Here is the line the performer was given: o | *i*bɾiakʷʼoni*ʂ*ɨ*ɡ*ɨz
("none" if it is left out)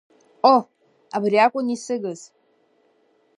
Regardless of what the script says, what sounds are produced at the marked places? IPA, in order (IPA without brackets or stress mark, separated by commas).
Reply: a, s, ɡ